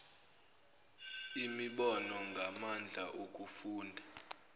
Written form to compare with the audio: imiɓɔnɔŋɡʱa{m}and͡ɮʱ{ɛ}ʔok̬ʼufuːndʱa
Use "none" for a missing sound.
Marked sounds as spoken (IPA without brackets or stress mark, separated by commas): m, a